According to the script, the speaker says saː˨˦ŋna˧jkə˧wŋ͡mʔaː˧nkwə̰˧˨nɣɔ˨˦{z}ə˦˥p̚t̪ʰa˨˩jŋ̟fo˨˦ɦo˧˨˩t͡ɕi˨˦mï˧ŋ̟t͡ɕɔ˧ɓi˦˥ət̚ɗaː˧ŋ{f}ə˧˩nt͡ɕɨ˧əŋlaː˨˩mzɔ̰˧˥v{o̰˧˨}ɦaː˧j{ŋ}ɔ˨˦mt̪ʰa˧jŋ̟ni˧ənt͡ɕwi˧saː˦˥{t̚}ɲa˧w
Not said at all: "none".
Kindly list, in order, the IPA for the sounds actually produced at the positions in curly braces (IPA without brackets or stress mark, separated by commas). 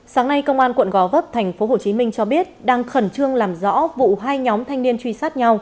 v, x, ṵ˧˨, ɲ, t̚